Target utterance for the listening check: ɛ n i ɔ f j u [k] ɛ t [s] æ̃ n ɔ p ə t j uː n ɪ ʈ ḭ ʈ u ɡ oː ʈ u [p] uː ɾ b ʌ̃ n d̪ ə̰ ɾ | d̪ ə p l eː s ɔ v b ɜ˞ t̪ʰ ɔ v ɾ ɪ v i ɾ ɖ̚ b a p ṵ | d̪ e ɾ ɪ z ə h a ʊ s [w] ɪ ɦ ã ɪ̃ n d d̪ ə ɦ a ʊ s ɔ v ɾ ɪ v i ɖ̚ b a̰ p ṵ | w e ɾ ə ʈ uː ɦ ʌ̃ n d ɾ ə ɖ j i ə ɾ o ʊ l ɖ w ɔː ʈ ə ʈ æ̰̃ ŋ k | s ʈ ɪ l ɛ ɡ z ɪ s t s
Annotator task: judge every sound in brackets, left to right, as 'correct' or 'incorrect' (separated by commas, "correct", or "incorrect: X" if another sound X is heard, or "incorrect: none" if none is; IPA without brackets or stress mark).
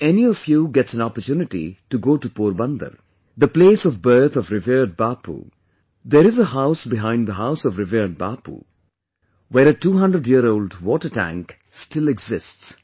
incorrect: ɡ, correct, correct, incorrect: b